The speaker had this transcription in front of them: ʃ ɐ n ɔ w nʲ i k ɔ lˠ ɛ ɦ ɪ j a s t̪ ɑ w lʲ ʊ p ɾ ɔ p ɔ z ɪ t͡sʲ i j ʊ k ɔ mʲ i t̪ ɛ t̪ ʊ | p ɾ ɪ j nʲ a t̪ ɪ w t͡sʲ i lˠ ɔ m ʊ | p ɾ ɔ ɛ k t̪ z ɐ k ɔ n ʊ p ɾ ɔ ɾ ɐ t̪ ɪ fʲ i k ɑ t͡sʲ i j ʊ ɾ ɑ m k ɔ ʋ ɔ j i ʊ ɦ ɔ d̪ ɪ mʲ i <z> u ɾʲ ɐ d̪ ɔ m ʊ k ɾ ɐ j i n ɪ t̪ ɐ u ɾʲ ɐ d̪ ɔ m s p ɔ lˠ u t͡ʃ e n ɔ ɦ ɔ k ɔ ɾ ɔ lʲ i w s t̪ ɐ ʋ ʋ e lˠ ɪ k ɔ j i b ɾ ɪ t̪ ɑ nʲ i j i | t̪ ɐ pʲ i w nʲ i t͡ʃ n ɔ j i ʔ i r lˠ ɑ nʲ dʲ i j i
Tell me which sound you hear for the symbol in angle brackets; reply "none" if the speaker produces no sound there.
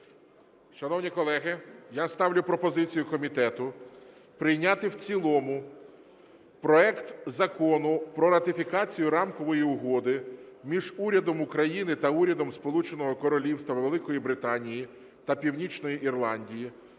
ʒ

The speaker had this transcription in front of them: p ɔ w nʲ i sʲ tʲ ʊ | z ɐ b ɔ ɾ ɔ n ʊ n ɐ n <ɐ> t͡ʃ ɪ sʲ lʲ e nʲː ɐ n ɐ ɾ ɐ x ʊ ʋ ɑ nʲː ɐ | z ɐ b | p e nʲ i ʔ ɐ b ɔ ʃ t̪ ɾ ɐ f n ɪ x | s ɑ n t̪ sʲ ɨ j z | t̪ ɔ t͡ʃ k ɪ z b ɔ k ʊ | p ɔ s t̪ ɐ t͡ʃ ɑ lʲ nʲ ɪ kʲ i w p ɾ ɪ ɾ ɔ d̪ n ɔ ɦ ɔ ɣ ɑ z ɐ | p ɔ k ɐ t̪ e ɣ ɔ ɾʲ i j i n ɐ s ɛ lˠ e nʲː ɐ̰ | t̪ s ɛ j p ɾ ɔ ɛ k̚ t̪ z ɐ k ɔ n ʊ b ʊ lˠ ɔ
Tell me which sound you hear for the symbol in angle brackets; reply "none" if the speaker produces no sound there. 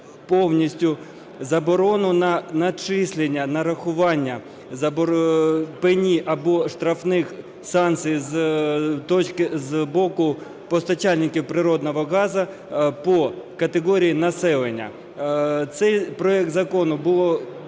ɐ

